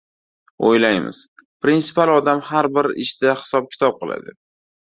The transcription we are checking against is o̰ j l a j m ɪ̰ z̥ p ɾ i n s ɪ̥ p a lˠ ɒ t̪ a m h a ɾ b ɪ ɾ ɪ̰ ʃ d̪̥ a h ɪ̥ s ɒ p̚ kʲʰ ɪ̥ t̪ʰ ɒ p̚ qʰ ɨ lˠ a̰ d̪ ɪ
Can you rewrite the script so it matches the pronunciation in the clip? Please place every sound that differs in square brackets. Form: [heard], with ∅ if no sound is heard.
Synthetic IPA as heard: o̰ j l a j m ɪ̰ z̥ p ɾ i n s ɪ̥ p a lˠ ɒ [d̪] a m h a ɾ b ɪ ɾ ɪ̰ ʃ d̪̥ a h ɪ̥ s ɒ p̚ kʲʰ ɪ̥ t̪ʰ ɒ p̚ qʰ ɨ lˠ a̰ d̪ ɪ